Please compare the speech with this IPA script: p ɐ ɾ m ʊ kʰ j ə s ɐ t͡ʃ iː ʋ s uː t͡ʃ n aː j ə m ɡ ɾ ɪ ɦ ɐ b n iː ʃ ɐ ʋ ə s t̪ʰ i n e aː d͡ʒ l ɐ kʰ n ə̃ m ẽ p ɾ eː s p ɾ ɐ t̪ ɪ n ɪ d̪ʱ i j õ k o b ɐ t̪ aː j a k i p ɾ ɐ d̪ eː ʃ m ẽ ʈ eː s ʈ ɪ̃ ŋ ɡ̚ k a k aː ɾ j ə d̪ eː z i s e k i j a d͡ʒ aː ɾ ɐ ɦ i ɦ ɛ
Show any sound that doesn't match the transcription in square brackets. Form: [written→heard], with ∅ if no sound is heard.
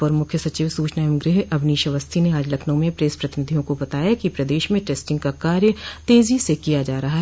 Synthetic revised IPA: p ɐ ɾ m ʊ kʰ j ə s ɐ t͡ʃ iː ʋ s uː t͡ʃ n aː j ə m ɡ ɾ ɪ ɦ ɐ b n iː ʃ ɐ ʋ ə s t̪ʰ i n e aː d͡ʒ l ɐ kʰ n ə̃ m ẽ p ɾ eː s p ɾ ɐ t̪ ɪ n ɪ d̪ʱ i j õ k o b ɐ t̪ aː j a k i p ɾ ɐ d̪ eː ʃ m ẽ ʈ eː s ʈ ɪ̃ ŋ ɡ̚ k a k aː ɾ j ə [d̪→t̪] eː z i s e k i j a d͡ʒ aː ɾ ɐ ɦ [i→a] ɦ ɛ

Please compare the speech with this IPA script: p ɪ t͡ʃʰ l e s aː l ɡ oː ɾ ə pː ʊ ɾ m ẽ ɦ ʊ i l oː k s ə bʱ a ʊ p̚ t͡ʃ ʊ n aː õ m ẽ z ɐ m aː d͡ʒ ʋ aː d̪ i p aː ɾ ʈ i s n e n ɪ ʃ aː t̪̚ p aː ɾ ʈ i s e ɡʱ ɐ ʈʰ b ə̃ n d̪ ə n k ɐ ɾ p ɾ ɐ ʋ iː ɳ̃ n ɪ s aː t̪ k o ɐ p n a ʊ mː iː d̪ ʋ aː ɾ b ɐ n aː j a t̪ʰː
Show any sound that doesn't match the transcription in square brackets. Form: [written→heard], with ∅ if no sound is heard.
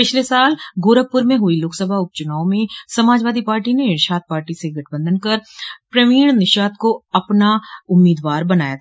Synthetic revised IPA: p ɪ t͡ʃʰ l e s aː l ɡ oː ɾ ə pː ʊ ɾ m ẽ ɦ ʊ i l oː k s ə bʱ a ʊ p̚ t͡ʃ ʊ n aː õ m ẽ [z→s] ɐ m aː d͡ʒ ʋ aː d̪ i p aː ɾ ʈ i [s→∅] n e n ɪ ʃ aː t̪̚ p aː ɾ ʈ i s e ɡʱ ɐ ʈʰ b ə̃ n d̪ ə n k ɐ ɾ p ɾ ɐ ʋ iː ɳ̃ n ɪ [s→ʃ] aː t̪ k o ɐ p n a ʊ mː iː d̪ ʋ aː ɾ b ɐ n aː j a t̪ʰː

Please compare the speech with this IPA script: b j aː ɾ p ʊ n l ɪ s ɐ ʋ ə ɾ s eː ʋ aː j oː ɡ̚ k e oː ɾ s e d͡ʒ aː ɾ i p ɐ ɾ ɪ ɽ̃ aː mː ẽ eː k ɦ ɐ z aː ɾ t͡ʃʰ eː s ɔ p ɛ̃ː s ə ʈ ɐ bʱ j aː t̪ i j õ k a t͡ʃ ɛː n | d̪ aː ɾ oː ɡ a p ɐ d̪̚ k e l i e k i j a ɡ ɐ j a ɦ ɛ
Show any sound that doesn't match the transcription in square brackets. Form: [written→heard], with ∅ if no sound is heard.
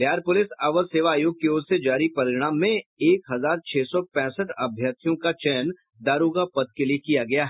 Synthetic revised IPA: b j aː ɾ p ʊ [n→∅] l ɪ s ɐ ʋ ə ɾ s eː ʋ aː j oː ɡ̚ k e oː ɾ s e d͡ʒ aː ɾ i p ɐ ɾ ɪ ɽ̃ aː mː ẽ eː k ɦ ɐ z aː ɾ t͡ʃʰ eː s ɔ p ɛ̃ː s ə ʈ ɐ bʱ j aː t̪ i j õ k a t͡ʃ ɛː n | d̪ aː ɾ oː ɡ a p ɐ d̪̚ k e l i e k i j a ɡ ɐ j a ɦ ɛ

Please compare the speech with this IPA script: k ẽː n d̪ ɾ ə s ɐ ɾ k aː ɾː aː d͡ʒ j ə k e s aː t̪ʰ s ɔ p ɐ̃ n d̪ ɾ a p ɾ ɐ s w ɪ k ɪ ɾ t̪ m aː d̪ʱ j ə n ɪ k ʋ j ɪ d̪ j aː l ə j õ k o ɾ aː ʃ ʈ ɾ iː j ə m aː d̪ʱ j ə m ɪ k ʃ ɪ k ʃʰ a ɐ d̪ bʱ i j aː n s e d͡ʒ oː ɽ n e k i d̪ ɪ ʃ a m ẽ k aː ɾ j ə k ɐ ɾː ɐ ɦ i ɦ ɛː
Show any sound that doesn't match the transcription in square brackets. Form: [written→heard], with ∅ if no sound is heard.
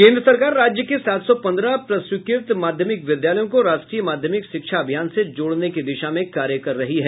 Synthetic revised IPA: k ẽː n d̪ ɾ ə s ɐ ɾ k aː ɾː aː d͡ʒ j ə k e s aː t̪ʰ s ɔ p ɐ̃ n d̪ ɾ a p ɾ ɐ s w ɪ k ɪ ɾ t̪ m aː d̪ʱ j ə [n→m] ɪ k ʋ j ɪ d̪ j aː l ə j õ k o ɾ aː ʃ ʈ ɾ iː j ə m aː d̪ʱ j ə m ɪ k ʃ ɪ k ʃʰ a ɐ [d̪→∅] bʱ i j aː n s e d͡ʒ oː ɽ n e k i d̪ ɪ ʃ a m ẽ k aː ɾ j ə k ɐ ɾː ɐ ɦ i ɦ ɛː

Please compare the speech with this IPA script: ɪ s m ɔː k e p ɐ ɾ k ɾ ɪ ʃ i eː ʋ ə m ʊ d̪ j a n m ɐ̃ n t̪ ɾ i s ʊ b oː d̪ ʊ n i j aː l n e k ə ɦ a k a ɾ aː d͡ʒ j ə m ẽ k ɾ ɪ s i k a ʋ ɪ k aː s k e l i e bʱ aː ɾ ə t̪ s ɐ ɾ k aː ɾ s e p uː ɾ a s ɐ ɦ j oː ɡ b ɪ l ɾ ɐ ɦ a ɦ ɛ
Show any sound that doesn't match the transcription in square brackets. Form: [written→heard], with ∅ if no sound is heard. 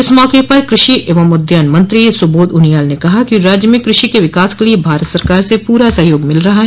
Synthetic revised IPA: ɪ s m ɔː k e p ɐ ɾ k ɾ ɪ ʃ i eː ʋ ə m ʊ d̪ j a n m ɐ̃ n t̪ ɾ i s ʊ b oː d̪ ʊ n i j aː l n e k [ə→ɐ] ɦ a k [a→i] ɾ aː d͡ʒ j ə m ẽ k ɾ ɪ [s→ʃ] i k [a→e] ʋ ɪ k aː s k e l i e bʱ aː ɾ ə t̪ s ɐ ɾ k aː ɾ s e p uː ɾ a s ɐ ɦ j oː ɡ [b→m] ɪ l ɾ ɐ ɦ a ɦ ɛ

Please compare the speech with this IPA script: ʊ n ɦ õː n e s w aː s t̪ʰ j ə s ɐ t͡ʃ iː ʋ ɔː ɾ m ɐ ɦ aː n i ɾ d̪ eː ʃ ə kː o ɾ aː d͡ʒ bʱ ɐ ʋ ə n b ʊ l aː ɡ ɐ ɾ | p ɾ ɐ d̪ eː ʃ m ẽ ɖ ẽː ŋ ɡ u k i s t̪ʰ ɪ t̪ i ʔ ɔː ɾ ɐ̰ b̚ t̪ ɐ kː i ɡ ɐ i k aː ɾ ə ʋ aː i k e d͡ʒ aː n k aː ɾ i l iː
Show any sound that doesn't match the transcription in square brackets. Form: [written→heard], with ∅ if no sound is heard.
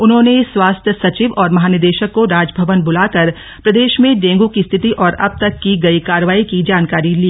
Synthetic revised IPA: ʊ n ɦ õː n e s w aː s t̪ʰ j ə s ɐ t͡ʃ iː ʋ ɔː ɾ m ɐ ɦ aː n [i→ɪ] ɾ d̪ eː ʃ ə kː o ɾ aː d͡ʒ bʱ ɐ ʋ ə n b ʊ l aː [ɡ→k] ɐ ɾ | p ɾ ɐ d̪ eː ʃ m ẽ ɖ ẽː ŋ ɡ u k i s t̪ʰ ɪ t̪ i ʔ ɔː ɾ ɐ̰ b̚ t̪ ɐ kː i ɡ ɐ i k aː ɾ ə ʋ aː i k [e→i] d͡ʒ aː n k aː ɾ i l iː

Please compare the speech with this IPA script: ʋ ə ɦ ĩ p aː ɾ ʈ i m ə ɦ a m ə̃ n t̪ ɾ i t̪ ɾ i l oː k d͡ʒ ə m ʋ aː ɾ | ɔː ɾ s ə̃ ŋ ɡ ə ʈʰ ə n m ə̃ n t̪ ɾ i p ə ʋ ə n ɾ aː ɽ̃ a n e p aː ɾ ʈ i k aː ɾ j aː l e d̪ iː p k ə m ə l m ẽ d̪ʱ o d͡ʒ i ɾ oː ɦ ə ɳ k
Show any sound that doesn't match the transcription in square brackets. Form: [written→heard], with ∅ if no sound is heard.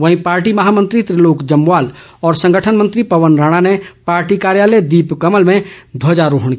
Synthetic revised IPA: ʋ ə ɦ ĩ p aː ɾ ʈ i m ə ɦ a m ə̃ n t̪ ɾ i t̪ ɾ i l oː k d͡ʒ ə m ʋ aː [ɾ→l] | ɔː ɾ s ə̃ ŋ ɡ ə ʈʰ ə n m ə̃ n t̪ ɾ i p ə ʋ ə n ɾ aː ɽ̃ a n e p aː ɾ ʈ i k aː ɾ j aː l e d̪ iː p k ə m ə l m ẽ d̪ʱ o d͡ʒ [i→a] ɾ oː ɦ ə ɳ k

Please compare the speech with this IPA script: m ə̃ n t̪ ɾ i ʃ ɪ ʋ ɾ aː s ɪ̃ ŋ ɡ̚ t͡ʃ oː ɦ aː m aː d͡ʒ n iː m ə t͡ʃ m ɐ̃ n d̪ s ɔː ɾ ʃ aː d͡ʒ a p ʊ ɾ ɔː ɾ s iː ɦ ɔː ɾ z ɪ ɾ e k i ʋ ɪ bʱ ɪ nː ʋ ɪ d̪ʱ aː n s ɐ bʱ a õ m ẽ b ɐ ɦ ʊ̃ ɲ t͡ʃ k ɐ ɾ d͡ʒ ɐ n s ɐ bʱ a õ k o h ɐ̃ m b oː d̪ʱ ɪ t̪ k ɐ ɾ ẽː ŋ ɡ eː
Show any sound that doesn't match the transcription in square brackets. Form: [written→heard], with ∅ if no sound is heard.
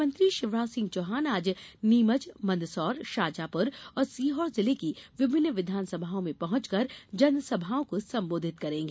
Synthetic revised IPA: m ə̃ n t̪ ɾ i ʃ ɪ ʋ ɾ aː s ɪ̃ ŋ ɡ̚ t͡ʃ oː ɦ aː [m→n] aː d͡ʒ n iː m ə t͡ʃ m ɐ̃ n d̪ s ɔː ɾ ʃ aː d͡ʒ a p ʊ ɾ ɔː ɾ s iː ɦ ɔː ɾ z ɪ [ɾ→l] e k i ʋ ɪ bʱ ɪ nː ʋ ɪ d̪ʱ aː n s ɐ bʱ a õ m ẽ [b→p] ɐ ɦ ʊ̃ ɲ t͡ʃ k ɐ ɾ d͡ʒ ɐ n s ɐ bʱ a õ k o [h→s] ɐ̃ m b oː d̪ʱ ɪ t̪ k ɐ ɾ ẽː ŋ ɡ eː

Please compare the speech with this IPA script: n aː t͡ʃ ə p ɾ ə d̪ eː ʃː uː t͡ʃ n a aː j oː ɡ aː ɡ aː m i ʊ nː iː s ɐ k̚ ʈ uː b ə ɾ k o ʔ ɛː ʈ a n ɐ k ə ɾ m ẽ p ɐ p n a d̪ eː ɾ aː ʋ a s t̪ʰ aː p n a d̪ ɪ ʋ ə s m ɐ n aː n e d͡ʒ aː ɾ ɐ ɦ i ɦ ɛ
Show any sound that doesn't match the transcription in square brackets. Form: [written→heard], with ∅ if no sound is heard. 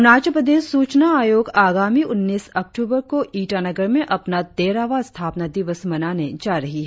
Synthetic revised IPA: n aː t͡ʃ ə p ɾ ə d̪ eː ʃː uː t͡ʃ n a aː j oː ɡ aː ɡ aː m i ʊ nː iː s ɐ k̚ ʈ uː b ə ɾ k o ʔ [ɛː→iː] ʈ a n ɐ [k→ɡ] ə ɾ m ẽ [p→ʔ] ɐ p n a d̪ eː ɾ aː ʋ a s t̪ʰ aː p n a d̪ ɪ ʋ ə s m ɐ n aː n e d͡ʒ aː ɾ ɐ ɦ i ɦ ɛ

